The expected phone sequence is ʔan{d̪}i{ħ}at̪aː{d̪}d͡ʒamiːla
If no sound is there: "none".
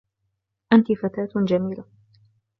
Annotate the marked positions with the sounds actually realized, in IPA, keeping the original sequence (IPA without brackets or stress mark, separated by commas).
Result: t̪, f, t̪